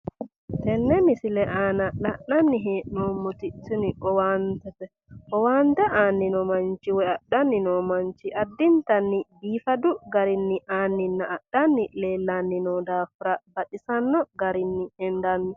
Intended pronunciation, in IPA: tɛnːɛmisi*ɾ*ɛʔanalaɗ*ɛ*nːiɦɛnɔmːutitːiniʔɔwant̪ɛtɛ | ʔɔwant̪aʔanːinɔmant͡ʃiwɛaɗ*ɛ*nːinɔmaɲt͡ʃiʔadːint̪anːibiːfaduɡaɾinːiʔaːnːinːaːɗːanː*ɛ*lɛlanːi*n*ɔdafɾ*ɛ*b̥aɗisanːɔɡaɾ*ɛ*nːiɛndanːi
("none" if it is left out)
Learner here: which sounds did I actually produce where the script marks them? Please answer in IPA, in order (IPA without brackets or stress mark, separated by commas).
l, a, a, i, n, a, i